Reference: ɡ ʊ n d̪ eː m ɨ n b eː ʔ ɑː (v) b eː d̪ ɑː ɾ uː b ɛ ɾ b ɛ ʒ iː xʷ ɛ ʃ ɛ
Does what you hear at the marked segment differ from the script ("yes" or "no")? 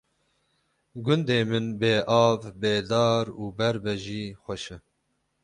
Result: no